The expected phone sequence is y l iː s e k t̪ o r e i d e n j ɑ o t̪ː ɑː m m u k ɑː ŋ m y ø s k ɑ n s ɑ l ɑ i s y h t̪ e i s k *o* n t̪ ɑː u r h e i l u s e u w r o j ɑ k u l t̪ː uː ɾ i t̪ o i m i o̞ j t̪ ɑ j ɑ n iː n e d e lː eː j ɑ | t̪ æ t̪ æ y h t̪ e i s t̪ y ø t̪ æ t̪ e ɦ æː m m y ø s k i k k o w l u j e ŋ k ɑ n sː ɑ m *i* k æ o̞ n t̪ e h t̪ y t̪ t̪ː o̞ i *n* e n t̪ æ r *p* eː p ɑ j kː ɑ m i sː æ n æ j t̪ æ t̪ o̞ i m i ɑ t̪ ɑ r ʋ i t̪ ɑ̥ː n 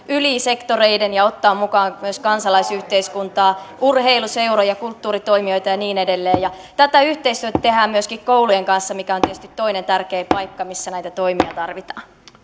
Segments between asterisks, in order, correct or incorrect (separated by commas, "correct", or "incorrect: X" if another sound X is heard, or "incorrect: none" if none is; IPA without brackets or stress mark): incorrect: u, correct, correct, incorrect: k